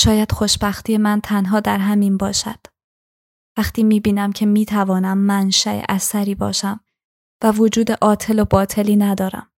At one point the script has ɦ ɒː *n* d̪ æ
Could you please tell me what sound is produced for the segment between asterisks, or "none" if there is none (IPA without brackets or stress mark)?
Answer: none